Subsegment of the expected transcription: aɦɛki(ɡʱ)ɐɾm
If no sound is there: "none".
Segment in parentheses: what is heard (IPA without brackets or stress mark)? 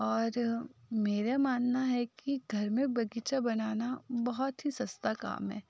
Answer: ɡʱ